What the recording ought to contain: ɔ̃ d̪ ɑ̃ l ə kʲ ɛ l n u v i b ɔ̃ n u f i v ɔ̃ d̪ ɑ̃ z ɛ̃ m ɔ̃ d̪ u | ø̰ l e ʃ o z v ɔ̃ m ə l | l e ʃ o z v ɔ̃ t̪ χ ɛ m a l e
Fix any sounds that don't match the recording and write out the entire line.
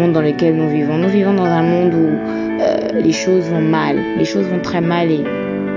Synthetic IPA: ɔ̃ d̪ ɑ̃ l ə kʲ ɛ l n u v i v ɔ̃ n u v i v ɔ̃ d̪ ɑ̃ z ɛ̃ m ɔ̃ d̪ u | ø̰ l e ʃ o z v ɔ̃ m a l | l e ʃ o z v ɔ̃ t̪ χ ɛ m a l e